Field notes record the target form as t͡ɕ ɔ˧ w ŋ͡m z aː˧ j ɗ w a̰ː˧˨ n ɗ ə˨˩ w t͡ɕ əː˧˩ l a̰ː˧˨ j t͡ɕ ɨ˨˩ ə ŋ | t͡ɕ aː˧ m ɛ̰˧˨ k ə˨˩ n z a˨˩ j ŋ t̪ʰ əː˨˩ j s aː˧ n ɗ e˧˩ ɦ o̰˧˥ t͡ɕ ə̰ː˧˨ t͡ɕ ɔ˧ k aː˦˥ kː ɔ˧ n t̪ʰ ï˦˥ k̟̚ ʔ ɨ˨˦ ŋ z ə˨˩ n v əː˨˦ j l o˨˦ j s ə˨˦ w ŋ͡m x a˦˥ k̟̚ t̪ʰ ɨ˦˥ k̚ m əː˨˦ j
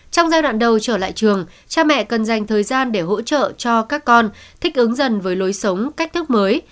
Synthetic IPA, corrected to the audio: t͡ɕ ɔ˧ w ŋ͡m z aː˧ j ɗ w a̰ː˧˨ n ɗ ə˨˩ w t͡ɕ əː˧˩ l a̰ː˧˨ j t͡ɕ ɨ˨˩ ə ŋ | t͡ɕ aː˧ m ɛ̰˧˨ k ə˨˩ n z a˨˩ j ŋ t̪ʰ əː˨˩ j z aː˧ n ɗ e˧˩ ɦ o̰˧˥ t͡ɕ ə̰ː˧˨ t͡ɕ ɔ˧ k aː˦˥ kː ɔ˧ n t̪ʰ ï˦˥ k̟̚ ʔ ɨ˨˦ ŋ z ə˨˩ n v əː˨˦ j l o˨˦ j s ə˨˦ w ŋ͡m k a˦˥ k̟̚ t̪ʰ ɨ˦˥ k̚ m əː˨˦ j